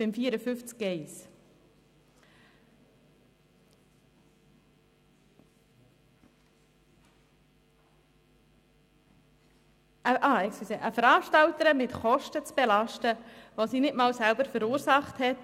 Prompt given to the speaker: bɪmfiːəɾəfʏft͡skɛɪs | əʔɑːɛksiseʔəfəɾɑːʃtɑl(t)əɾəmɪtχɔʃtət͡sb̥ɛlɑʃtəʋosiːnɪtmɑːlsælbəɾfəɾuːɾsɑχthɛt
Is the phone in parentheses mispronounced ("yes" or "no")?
no